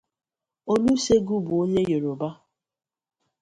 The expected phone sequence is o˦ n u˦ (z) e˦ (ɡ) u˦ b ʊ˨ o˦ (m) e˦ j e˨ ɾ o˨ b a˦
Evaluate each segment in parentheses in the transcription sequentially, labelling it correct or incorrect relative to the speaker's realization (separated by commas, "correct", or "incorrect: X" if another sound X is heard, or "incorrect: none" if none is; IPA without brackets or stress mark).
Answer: incorrect: s, correct, incorrect: ɲ